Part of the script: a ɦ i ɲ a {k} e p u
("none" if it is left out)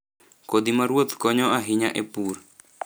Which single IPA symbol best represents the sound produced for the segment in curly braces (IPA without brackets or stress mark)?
ʔ